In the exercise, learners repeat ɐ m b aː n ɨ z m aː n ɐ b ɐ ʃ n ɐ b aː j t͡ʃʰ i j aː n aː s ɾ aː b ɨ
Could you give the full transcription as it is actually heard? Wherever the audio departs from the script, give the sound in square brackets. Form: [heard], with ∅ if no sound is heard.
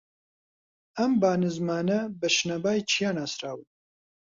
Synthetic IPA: ɐ m b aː n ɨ z m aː n ɐ b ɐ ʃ n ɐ b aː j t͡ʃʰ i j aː n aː s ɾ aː [w] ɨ

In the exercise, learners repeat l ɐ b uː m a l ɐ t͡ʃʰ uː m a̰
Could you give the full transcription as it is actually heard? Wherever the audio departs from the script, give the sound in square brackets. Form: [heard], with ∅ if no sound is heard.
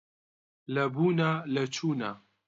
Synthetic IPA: l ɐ b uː [n] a l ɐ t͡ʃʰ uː [n] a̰

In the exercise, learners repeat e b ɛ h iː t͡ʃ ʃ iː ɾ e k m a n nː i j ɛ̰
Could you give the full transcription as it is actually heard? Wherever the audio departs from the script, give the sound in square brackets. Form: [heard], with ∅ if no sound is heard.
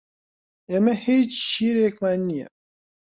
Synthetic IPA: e [m] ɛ h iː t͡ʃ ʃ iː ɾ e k m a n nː i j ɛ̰

